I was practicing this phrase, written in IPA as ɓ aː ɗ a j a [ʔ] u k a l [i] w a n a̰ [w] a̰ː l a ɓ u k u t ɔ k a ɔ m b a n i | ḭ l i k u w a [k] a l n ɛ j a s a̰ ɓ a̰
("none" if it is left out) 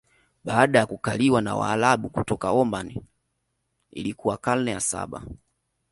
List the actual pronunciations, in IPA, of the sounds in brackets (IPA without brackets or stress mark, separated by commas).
k, i, w, k